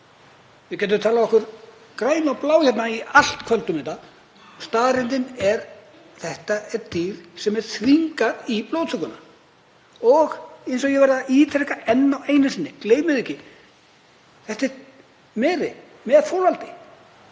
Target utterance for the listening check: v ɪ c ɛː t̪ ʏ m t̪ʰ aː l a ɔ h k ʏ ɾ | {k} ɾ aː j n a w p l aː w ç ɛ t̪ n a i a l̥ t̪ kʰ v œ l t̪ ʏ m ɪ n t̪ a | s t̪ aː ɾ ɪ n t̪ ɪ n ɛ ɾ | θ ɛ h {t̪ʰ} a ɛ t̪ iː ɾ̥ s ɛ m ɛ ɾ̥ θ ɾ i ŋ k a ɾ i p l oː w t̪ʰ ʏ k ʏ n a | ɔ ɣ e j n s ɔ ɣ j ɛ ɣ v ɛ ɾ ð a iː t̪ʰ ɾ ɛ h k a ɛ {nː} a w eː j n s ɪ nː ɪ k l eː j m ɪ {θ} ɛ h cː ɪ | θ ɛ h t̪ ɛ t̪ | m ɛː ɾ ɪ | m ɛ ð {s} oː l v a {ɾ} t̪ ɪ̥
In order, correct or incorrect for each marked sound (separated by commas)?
correct, incorrect, correct, incorrect, incorrect, incorrect